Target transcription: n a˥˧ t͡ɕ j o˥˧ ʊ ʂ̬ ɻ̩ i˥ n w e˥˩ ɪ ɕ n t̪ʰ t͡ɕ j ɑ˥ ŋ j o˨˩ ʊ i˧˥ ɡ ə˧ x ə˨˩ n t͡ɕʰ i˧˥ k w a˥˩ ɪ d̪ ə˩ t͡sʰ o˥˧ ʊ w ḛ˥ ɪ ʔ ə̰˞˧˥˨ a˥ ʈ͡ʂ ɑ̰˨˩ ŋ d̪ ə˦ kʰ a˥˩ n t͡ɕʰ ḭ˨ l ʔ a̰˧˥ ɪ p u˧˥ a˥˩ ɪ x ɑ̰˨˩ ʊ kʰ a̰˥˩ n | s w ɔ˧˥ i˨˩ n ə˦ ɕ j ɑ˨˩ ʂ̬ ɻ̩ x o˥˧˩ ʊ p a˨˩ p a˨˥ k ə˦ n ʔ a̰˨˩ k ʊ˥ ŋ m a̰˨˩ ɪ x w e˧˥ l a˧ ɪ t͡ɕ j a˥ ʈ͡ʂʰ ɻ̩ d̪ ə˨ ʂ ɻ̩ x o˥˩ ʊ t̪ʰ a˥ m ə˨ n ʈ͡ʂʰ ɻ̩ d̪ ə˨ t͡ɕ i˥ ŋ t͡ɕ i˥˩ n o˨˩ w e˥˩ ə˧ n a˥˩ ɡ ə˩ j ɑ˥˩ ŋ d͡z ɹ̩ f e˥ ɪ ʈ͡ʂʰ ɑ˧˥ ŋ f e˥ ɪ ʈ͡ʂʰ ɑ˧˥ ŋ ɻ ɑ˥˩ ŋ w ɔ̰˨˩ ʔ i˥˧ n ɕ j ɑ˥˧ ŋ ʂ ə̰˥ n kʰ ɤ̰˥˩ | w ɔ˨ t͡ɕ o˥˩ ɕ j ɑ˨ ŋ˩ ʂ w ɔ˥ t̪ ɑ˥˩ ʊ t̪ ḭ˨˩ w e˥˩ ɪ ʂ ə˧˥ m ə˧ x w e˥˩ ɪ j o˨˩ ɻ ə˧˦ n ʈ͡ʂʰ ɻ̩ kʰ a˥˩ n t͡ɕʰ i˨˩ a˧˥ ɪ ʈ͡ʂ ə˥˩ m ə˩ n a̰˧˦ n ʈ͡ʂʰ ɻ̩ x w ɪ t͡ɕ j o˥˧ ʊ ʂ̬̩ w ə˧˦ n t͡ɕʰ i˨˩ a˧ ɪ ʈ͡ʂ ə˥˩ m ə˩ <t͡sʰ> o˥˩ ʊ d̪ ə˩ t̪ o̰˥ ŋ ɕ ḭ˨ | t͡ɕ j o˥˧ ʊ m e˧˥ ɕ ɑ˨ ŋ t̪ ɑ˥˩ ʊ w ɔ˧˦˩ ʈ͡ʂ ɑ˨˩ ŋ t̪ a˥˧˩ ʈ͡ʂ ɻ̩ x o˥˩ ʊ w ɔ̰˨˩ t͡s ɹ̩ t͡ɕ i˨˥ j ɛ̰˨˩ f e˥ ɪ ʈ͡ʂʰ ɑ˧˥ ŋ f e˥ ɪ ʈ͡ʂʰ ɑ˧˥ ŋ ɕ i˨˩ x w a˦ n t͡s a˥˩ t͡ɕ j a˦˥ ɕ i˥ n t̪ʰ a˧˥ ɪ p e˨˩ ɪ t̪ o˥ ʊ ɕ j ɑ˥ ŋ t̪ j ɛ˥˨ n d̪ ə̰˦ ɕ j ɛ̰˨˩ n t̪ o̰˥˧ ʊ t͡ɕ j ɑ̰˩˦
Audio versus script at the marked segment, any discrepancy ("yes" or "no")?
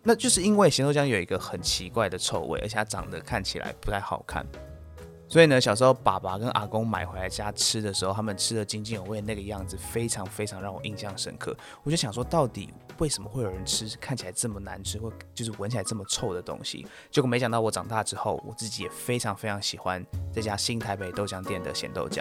no